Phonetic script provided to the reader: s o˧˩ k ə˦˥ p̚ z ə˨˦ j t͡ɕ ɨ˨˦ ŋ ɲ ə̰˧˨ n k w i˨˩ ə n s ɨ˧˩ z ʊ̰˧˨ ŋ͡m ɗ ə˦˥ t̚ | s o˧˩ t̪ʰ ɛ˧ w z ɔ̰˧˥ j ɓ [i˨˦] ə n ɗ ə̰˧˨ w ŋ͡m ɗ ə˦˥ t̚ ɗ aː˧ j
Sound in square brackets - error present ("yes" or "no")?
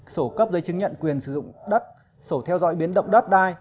no